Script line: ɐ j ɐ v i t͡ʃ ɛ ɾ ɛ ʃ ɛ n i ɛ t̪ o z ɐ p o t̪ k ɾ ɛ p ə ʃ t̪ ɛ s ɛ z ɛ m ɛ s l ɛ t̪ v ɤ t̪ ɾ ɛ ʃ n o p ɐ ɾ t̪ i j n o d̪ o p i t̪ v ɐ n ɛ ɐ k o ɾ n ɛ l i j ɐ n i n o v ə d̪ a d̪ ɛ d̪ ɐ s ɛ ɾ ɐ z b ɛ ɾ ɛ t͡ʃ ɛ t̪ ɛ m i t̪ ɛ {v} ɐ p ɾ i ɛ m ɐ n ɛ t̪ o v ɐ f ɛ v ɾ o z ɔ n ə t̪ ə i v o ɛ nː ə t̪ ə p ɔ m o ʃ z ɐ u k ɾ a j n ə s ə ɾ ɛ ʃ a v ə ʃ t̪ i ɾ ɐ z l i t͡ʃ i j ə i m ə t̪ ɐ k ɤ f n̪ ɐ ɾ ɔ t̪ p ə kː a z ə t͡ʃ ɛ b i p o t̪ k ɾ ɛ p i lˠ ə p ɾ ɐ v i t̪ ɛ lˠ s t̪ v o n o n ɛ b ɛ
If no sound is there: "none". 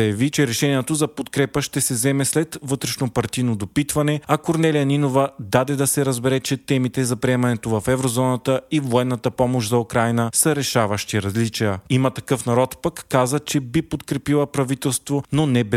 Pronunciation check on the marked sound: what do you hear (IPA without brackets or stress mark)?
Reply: z